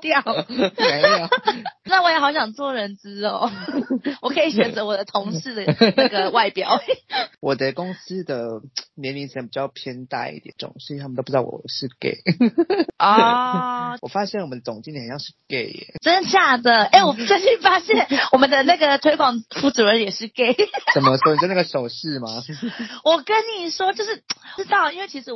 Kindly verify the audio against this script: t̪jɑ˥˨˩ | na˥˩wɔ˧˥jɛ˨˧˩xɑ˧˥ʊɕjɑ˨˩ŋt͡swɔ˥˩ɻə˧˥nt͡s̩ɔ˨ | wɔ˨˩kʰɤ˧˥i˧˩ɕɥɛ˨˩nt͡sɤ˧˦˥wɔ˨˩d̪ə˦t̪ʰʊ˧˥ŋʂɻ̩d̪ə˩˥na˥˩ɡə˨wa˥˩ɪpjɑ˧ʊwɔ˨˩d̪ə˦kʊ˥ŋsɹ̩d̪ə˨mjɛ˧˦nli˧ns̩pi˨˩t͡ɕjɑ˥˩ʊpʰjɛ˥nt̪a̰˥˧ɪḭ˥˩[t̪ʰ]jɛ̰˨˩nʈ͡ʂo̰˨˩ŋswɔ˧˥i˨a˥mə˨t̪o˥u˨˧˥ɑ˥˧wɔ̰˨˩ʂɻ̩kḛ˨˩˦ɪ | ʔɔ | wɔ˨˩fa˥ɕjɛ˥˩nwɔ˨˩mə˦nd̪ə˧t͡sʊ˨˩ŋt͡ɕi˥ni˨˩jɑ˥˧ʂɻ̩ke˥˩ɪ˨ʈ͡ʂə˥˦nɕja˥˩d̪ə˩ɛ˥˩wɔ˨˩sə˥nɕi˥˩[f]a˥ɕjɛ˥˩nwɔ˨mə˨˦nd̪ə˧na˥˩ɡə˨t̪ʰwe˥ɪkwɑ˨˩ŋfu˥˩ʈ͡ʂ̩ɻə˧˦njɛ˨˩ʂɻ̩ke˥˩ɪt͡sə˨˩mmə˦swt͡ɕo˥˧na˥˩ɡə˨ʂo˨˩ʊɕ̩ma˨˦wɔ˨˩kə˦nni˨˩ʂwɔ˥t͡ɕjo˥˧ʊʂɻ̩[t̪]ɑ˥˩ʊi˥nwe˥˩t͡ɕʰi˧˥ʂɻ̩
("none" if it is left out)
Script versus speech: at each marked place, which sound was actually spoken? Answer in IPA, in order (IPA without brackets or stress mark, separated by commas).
t̪, f, t̪